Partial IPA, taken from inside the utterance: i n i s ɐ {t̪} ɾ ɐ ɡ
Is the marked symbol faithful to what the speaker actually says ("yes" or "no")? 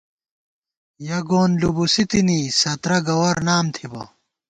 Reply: yes